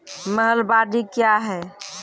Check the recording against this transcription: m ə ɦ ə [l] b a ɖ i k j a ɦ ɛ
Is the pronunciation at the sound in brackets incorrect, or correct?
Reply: correct